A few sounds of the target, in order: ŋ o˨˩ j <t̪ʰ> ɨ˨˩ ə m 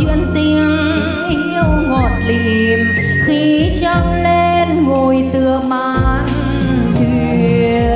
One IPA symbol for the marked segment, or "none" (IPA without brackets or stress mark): t̪